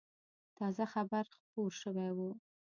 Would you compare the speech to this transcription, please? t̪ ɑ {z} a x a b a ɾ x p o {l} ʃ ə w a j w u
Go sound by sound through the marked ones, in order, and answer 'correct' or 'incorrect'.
correct, incorrect

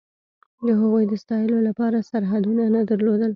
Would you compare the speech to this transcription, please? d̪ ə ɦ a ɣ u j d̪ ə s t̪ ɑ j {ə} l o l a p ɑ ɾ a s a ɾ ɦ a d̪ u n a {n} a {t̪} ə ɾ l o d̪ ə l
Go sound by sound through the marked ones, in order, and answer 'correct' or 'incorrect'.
correct, correct, incorrect

